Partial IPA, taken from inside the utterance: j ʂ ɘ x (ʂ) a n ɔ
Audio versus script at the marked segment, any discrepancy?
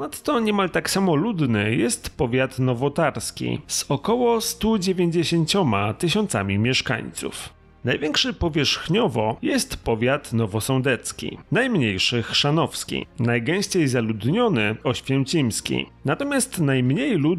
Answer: no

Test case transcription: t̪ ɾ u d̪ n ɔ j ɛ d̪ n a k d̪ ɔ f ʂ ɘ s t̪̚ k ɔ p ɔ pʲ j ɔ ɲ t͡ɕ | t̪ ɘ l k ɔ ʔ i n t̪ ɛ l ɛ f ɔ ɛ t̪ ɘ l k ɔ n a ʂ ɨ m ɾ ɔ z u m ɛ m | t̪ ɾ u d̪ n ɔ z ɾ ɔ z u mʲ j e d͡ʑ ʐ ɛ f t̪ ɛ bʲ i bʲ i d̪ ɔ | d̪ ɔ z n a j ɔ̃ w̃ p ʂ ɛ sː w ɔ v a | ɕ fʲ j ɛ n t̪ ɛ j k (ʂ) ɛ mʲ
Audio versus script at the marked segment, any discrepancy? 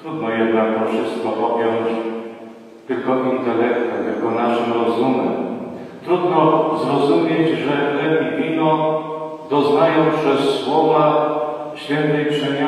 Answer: no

